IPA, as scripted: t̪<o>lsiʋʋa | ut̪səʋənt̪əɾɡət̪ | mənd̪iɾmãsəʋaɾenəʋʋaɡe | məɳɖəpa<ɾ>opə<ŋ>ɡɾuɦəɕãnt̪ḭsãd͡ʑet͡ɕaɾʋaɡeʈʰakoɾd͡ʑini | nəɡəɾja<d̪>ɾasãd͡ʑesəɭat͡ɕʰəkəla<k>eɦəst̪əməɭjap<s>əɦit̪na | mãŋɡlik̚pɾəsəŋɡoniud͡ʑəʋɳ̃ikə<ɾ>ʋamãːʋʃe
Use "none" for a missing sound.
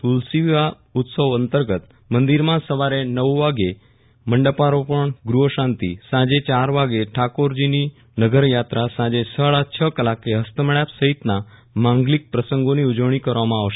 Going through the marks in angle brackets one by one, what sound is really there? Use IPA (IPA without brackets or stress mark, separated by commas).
u, ɾ, ɳ, t̪, k, s, ɾ